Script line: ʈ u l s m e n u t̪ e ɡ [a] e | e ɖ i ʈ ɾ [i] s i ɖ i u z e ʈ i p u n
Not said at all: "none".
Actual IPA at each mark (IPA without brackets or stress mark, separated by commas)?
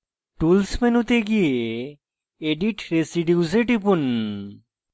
i, e